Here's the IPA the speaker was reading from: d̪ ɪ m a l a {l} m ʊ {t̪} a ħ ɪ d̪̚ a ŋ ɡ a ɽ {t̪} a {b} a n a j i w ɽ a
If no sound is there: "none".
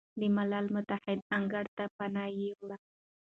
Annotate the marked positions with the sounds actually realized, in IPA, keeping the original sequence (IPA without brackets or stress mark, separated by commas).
l, t̪, t̪, p